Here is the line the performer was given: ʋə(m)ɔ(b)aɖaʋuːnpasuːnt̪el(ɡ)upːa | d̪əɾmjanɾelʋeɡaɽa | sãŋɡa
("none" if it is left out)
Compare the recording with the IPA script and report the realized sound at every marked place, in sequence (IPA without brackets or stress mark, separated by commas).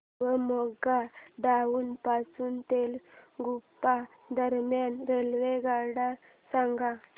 m, ɡ, ɡ